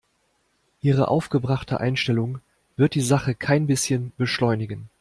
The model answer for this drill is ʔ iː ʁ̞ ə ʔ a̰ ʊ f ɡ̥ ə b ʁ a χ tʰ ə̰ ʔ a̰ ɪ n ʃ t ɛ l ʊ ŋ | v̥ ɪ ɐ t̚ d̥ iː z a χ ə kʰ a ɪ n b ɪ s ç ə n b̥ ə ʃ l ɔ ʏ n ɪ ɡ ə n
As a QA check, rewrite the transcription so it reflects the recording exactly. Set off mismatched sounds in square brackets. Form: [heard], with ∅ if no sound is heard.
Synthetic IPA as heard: ʔ iː ʁ̞ ə ʔ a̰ ʊ f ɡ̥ ə b ʁ a χ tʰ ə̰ ʔ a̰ ɪ n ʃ t ɛ l ʊ ŋ | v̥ ɪ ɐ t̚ d̥ iː z a χ ə kʰ a ɪ n b ɪ s ç ə n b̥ ə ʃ l ɔ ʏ n ɪ ɡ ə n